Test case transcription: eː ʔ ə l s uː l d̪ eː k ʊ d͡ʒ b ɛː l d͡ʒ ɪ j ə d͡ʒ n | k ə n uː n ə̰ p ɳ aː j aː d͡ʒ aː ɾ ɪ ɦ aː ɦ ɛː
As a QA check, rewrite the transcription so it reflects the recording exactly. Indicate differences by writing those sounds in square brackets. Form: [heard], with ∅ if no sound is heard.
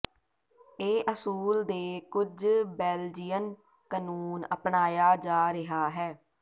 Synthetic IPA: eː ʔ ə [∅] s uː l d̪ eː k ʊ d͡ʒ b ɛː l d͡ʒ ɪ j ə [∅] n | k ə n uː n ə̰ p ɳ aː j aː d͡ʒ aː ɾ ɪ ɦ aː ɦ ɛː